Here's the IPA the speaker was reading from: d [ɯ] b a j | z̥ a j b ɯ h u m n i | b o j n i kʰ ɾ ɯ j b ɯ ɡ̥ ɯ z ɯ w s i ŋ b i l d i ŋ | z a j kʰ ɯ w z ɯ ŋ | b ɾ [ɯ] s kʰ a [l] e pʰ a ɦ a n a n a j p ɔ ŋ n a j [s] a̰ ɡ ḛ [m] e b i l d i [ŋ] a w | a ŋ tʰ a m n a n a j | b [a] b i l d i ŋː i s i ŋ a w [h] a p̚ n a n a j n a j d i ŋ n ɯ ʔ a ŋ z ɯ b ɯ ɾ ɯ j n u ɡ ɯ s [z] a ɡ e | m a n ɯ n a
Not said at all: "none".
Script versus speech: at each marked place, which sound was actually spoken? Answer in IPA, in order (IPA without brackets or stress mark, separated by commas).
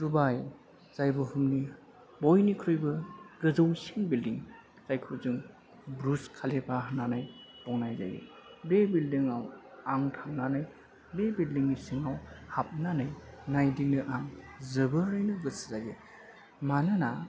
u, u, l, z, b, ŋ, e, h, z